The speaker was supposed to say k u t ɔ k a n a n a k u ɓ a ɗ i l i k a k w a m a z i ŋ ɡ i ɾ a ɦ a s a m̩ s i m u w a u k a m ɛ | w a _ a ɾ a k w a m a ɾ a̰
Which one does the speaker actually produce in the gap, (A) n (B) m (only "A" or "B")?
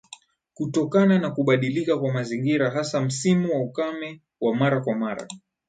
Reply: B